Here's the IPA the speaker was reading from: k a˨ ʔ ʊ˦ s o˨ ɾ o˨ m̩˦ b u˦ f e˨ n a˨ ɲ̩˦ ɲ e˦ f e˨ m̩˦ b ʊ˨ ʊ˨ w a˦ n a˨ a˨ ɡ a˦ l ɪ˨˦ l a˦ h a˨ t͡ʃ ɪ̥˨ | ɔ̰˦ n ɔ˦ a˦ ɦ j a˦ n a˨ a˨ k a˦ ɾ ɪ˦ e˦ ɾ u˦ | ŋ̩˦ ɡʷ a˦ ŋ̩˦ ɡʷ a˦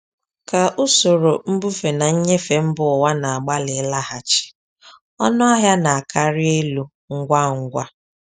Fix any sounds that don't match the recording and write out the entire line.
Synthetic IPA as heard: k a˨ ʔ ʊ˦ s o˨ ɾ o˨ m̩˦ b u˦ f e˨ n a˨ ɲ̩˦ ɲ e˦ f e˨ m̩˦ b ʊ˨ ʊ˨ w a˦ n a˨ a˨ ɡ͡b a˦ l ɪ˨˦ l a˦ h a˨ t͡ʃ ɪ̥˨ | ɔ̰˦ n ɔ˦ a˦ ɦ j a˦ n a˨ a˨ k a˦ ɾ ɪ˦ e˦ l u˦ | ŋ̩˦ ɡʷ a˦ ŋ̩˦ ɡʷ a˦

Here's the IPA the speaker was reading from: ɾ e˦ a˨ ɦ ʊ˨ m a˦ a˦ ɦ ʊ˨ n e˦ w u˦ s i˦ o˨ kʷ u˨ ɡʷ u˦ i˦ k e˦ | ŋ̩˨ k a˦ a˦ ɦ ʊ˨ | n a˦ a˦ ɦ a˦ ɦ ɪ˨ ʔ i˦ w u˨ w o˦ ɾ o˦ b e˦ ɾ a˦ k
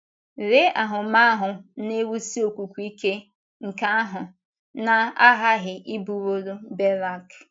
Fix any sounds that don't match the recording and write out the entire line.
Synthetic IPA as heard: ɾ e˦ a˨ ɦ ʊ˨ m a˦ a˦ ɦ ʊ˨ n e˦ w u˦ s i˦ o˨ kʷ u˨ kʷ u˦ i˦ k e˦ | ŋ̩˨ k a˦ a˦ ɦ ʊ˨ | n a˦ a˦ ɦ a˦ ɦ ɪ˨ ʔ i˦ b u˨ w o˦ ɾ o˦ b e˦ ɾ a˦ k

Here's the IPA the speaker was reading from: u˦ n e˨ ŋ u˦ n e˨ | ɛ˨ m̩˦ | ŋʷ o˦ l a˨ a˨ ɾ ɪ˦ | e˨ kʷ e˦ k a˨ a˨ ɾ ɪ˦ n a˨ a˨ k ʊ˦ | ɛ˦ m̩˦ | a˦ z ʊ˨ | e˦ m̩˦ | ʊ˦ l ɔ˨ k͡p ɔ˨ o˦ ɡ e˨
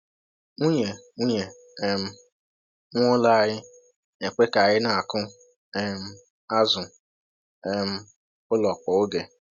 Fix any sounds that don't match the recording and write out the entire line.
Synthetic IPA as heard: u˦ ɲ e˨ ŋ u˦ ɲ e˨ | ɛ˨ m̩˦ | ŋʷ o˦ l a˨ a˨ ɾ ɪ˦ | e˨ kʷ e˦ k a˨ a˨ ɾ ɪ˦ n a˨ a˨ k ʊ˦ | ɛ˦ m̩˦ | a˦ z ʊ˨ | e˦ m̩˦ | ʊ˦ l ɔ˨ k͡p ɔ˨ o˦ ɡ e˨

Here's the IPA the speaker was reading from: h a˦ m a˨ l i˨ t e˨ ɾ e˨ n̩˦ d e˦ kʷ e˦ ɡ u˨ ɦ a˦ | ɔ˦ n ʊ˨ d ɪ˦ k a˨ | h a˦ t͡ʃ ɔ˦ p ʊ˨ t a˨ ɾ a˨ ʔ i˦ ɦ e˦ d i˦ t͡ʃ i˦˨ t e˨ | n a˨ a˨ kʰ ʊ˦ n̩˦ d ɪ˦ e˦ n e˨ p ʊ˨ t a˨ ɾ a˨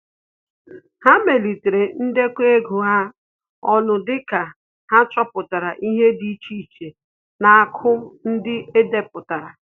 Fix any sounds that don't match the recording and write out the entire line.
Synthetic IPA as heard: h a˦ m e˨ l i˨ t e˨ ɾ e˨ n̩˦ d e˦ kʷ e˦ ɡ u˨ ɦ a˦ | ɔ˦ n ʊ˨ d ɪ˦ k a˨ | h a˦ t͡ʃ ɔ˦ p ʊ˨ t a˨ ɾ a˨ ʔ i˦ ɦ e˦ d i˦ t͡ʃ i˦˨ t͡ʃ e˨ | n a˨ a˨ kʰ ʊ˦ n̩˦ d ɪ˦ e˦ d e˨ p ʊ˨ t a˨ ɾ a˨

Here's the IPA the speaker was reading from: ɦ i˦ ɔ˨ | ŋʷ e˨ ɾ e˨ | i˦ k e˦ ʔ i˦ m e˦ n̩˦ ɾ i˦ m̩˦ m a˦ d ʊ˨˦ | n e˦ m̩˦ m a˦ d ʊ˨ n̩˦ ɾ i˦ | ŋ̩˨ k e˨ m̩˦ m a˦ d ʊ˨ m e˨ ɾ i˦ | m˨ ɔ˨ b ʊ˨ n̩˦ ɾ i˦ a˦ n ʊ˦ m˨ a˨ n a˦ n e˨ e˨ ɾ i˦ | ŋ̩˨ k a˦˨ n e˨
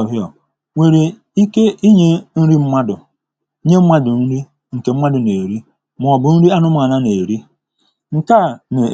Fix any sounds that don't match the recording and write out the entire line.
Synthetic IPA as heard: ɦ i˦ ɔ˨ | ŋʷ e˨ ɾ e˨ | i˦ k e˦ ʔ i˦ ɲ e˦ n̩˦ ɾ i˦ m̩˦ m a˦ d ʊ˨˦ | ɲ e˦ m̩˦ m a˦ d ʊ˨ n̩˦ ɾ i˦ | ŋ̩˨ k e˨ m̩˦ m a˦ d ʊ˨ n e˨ ɾ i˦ | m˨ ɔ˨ b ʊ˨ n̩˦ ɾ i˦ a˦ n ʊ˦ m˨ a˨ n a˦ n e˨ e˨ ɾ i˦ | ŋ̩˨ k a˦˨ n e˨

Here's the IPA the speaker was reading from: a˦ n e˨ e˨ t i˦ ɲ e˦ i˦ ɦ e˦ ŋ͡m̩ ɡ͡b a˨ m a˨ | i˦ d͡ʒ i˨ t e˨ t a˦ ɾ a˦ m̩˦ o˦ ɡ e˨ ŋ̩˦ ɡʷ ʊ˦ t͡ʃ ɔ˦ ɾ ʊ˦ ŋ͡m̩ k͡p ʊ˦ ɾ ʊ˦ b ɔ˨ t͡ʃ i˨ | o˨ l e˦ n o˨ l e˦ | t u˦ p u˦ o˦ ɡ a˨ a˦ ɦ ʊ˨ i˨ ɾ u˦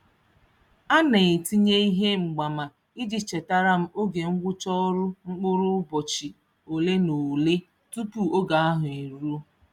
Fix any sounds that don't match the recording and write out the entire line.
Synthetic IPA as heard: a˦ n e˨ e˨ t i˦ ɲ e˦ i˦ ɦ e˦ ŋ͡m̩ ɡ͡b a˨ m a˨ | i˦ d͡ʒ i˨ t͡ʃ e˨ t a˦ ɾ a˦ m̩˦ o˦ ɡ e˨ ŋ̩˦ ɡʷ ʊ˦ t͡ʃ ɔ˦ ɾ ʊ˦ ŋ͡m̩ k͡p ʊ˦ ɾ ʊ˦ b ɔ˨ t͡ʃ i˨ | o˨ l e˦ n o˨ l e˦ | t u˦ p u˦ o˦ ɡ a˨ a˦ ɦ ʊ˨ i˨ ɾ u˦

